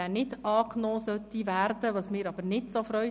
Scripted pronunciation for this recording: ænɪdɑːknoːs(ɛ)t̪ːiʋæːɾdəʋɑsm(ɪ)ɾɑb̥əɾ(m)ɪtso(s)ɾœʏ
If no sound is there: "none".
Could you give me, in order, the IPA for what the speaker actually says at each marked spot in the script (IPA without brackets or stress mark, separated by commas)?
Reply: œ, ɪː, n, f